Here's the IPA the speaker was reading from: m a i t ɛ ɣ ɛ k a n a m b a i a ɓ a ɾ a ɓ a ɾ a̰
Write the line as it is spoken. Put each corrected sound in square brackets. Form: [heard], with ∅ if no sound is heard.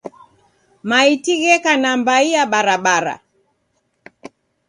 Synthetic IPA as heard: m a i t [i] ɣ ɛ k a n a m b a i a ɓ a ɾ a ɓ a ɾ a̰